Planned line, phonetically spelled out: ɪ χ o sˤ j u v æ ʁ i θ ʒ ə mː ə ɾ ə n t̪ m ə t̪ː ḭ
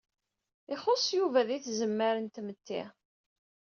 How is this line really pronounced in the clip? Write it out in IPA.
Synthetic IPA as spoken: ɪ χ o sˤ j u v æ ð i θ z ə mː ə ɾ ə n t̪ m ə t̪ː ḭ